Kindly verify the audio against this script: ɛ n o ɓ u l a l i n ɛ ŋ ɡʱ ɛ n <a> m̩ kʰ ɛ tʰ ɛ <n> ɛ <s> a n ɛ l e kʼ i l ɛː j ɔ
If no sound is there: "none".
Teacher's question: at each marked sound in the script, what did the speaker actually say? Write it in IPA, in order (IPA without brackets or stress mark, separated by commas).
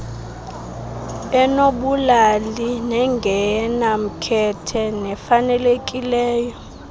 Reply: a, n, f